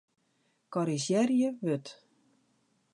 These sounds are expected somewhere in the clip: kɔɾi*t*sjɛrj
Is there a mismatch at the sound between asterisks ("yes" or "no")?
yes